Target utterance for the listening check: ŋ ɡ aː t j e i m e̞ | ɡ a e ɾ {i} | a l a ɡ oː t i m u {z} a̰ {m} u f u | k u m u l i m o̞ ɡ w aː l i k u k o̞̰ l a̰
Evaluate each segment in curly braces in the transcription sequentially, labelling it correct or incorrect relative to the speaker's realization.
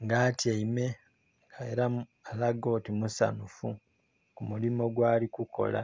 incorrect: a, incorrect: s, incorrect: n

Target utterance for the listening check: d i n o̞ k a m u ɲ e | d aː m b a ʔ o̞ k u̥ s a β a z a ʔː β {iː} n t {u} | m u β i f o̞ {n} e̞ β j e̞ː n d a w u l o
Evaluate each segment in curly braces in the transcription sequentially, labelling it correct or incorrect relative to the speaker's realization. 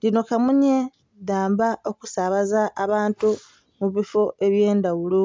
incorrect: aː, correct, incorrect: none

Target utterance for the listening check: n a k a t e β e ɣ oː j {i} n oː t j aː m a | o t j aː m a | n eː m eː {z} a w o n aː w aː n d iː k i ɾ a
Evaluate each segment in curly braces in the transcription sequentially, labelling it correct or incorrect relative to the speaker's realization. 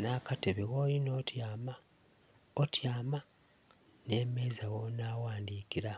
correct, correct

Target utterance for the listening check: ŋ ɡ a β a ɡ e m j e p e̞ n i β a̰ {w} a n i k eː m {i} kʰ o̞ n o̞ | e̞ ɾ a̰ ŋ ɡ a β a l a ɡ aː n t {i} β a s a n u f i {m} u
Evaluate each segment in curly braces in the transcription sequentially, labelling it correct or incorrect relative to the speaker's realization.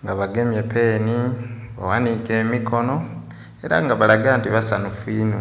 correct, correct, correct, incorrect: n

